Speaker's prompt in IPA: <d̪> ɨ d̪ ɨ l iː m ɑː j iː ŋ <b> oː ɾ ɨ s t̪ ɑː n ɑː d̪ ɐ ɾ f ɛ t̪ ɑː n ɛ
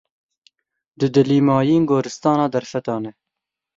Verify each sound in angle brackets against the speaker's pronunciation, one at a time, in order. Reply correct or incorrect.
correct, incorrect: ɡ

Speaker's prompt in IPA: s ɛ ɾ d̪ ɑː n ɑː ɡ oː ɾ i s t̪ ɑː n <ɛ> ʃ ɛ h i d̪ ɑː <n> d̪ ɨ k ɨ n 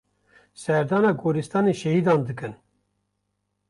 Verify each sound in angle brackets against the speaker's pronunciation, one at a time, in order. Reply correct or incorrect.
incorrect: e, correct

